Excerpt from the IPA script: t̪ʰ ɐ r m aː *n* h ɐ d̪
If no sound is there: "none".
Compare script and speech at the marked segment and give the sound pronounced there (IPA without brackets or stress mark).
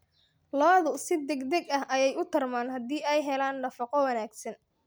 n